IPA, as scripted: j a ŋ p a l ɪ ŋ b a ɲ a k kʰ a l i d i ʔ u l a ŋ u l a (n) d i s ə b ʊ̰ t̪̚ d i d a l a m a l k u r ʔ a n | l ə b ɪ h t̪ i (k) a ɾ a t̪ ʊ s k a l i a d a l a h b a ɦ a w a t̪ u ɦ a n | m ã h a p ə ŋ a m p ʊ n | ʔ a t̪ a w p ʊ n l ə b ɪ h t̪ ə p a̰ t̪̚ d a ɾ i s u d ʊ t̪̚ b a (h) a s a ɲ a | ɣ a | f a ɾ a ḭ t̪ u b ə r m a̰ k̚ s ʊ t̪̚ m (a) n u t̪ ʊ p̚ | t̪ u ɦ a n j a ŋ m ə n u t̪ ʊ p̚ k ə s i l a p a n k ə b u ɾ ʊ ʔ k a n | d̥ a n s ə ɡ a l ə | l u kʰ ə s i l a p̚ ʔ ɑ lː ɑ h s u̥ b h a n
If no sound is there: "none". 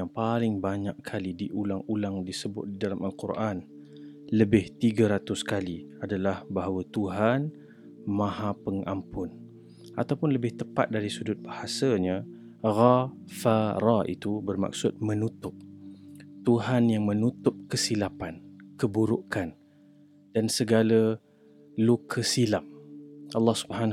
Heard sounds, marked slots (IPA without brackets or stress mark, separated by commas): ŋ, ɡ, h, ə